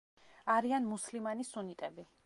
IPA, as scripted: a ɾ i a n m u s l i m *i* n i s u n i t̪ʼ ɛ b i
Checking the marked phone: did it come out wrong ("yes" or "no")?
yes